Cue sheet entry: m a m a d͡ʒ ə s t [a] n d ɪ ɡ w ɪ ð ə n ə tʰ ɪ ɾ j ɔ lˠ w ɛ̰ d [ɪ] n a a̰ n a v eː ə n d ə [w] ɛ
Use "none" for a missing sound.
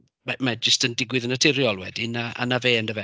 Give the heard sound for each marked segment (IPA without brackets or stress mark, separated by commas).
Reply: ə, i, v